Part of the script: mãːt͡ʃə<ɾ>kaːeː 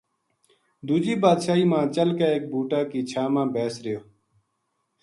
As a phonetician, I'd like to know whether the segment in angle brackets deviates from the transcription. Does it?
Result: yes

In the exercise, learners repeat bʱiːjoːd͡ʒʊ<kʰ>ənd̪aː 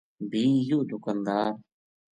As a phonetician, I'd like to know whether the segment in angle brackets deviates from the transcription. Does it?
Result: yes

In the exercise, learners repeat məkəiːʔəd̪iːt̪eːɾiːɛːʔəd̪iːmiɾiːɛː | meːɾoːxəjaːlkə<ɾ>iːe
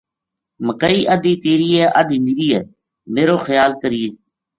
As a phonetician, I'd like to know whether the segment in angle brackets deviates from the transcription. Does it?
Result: no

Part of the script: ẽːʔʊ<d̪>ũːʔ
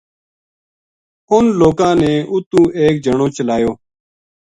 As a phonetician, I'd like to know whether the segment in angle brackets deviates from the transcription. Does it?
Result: yes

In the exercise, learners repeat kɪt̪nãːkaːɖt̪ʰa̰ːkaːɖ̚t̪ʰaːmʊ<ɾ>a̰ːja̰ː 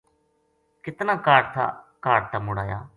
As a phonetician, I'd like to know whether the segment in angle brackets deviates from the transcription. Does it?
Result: yes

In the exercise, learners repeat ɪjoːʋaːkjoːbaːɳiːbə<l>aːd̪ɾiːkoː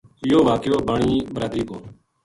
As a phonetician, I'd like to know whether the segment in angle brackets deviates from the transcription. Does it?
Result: yes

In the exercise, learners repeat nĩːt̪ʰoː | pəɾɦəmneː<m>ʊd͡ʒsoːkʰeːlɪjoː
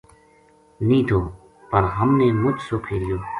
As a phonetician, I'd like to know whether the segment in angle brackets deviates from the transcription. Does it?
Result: no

